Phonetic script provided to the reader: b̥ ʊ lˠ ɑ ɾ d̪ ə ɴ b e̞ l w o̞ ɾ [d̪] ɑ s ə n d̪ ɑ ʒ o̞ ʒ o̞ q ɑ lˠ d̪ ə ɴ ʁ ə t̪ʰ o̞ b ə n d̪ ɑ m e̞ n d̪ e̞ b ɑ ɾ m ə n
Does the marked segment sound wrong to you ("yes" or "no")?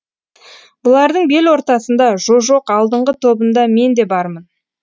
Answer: yes